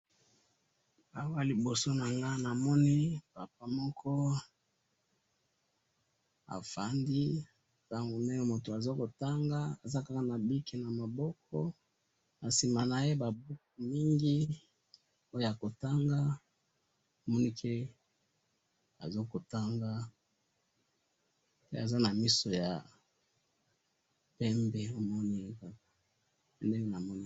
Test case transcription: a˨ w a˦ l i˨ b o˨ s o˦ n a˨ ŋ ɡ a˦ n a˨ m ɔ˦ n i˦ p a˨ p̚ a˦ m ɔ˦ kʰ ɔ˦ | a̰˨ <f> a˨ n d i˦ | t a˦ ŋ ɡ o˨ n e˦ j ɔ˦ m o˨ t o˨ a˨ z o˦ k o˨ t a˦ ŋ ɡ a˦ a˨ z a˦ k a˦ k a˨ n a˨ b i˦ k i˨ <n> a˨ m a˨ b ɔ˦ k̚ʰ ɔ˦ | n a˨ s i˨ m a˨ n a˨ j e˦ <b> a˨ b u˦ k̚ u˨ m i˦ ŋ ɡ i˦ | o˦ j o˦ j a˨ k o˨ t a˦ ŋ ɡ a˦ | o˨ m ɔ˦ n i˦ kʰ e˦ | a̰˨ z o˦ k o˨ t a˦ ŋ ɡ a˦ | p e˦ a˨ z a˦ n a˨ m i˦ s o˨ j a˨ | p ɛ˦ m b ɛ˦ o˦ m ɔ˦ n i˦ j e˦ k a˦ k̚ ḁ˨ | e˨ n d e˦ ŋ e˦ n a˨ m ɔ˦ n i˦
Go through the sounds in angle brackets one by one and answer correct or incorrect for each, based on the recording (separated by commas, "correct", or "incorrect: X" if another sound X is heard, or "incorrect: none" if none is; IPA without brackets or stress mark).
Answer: correct, correct, correct